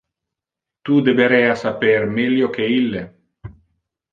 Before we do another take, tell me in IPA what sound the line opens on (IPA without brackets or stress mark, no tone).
t̪